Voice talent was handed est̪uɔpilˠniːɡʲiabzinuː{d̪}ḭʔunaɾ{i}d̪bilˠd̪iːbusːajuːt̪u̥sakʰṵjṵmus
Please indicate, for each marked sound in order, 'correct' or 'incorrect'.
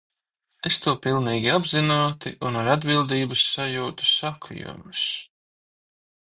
incorrect, incorrect

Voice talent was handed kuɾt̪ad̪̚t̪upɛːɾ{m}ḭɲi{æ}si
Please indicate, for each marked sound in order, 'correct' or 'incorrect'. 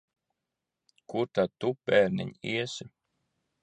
incorrect, incorrect

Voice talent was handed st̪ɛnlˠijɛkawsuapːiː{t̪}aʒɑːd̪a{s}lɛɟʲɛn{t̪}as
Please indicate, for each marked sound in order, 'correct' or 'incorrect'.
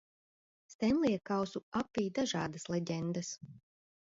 incorrect, correct, incorrect

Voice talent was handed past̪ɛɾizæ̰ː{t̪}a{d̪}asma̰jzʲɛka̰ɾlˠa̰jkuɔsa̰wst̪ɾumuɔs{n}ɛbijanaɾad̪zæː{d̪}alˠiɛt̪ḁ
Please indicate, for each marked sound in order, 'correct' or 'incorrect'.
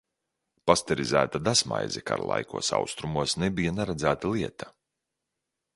correct, correct, correct, incorrect

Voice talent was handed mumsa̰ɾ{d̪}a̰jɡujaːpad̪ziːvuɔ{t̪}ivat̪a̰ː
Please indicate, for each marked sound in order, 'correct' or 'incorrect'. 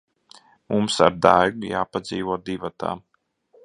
correct, incorrect

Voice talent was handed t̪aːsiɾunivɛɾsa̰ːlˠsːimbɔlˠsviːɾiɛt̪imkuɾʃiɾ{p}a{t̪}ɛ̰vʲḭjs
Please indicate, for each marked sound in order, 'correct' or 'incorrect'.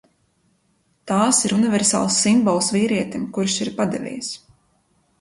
correct, incorrect

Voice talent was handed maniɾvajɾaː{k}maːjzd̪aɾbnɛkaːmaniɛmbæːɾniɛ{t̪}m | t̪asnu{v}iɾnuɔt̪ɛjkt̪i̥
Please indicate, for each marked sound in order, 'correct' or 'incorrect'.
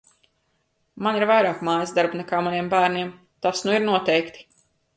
correct, incorrect, incorrect

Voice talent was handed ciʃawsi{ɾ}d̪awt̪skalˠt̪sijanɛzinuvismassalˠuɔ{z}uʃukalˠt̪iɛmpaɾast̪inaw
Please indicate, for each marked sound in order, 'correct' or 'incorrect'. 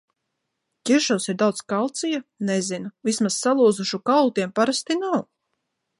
correct, correct

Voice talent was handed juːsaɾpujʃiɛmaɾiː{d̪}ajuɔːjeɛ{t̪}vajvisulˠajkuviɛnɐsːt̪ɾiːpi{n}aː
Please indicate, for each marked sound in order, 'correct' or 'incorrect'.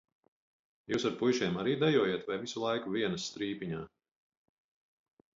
correct, correct, incorrect

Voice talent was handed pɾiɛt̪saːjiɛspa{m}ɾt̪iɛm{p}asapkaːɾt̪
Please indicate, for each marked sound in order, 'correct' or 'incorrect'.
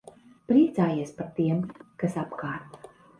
incorrect, incorrect

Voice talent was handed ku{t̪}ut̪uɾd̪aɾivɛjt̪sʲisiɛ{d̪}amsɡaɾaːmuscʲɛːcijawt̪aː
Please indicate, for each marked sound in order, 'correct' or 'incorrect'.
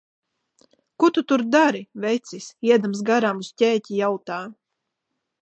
correct, correct

